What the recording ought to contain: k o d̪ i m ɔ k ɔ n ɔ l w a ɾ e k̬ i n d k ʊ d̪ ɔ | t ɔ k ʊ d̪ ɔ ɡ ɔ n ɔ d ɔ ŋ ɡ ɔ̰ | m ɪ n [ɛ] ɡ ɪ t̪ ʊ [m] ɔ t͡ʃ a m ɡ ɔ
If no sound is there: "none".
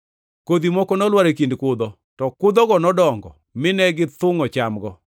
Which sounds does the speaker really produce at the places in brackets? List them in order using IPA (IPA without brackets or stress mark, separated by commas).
ɛ, ŋ